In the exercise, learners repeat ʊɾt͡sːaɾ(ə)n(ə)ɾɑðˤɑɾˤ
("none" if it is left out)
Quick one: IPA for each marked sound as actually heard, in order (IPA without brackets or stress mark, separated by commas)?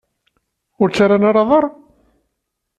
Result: a, a